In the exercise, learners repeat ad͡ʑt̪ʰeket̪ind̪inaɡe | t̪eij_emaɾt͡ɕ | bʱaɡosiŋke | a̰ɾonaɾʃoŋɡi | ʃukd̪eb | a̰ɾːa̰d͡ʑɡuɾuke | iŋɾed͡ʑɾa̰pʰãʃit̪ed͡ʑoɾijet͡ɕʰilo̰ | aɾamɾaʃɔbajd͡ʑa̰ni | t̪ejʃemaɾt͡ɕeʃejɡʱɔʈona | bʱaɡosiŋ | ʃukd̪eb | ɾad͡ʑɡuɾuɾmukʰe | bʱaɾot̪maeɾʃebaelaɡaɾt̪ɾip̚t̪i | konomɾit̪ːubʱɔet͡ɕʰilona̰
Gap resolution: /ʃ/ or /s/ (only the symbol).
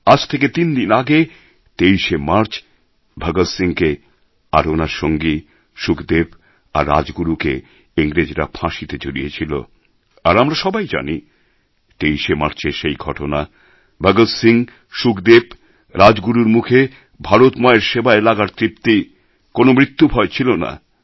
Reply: ʃ